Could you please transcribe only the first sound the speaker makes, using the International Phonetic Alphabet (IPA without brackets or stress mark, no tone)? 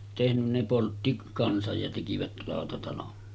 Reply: t